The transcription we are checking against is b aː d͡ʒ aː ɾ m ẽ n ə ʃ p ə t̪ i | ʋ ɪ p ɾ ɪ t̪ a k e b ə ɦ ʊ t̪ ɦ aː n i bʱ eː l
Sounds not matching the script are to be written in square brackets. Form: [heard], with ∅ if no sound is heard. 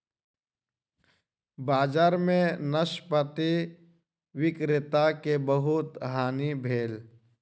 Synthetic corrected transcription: b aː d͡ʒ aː ɾ m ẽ n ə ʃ p ə t̪ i | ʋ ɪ [k] ɾ ɪ t̪ a k e b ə ɦ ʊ t̪ ɦ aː n i bʱ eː l